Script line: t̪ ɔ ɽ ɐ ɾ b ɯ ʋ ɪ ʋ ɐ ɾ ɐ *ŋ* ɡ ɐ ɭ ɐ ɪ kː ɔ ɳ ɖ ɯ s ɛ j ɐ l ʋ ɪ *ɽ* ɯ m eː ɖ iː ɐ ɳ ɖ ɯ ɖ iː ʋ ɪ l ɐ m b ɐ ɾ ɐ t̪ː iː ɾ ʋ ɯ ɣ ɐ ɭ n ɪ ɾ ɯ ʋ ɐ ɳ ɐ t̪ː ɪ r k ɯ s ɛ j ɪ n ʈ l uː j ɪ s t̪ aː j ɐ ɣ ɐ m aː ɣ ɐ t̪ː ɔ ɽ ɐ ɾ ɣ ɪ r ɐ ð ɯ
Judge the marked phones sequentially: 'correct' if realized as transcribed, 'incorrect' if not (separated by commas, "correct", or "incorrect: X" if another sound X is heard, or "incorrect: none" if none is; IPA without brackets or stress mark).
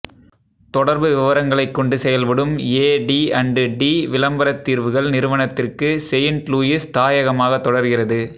correct, correct